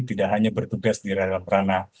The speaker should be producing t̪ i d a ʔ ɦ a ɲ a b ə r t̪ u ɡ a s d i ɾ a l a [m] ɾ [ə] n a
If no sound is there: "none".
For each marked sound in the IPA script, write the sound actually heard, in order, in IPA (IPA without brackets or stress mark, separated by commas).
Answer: m, a